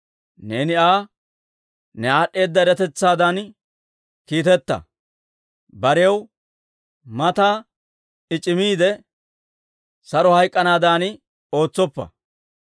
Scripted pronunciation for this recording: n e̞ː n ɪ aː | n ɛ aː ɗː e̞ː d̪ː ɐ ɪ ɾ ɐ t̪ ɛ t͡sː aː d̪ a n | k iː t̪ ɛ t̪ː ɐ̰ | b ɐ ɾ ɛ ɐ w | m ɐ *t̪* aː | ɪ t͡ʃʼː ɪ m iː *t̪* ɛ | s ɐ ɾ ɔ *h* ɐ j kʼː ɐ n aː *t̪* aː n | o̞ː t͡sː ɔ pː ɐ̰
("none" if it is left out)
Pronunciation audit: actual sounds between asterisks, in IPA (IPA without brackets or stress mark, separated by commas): t̪, d̪, h, d̪